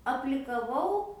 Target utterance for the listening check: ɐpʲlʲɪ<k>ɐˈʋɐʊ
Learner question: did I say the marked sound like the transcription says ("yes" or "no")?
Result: yes